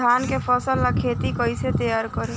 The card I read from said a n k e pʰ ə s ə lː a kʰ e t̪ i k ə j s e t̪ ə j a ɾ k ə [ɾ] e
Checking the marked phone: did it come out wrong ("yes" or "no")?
no